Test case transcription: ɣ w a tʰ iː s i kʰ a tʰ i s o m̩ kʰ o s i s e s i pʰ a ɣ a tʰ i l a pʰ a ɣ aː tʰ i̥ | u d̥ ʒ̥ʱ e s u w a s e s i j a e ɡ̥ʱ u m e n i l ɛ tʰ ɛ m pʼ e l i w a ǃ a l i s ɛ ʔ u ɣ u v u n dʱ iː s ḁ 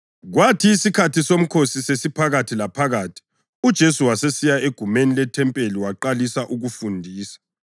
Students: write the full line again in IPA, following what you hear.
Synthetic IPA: ɣ w a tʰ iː s i kʰ a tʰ i s o m̩ kʰ o s i s e s i pʰ a ɣ a tʰ i l a pʰ a ɣ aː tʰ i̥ | u d̥ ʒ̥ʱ e s u w a s e s i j a e ɡ̥ʱ u m e n i l ɛ tʰ ɛ m pʼ e l i w a ǃ a l i s a ʔ u ɣ u f u n dʱ iː s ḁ